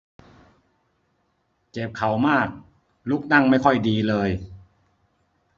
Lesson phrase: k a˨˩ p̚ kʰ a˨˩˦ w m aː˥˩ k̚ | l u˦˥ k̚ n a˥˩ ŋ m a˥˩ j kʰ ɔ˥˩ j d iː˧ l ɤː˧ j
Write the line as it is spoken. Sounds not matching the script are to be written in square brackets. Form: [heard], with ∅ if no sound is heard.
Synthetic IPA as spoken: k [e˨˩] p̚ kʰ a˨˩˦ w m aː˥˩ k̚ | l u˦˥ k̚ n a˥˩ ŋ m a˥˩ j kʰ ɔ˥˩ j d iː˧ l ɤː˧ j